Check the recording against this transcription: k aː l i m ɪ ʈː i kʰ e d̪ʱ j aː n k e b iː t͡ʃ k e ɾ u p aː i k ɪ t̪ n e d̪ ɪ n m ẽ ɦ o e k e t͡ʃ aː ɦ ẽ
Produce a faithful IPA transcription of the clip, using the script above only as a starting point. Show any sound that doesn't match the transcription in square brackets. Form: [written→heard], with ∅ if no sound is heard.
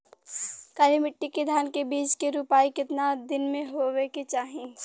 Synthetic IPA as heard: k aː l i m ɪ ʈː i [kʰ→k] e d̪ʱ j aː n k e b iː t͡ʃ k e ɾ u p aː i k ɪ t̪ n [e→a] d̪ ɪ n m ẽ ɦ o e k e t͡ʃ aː ɦ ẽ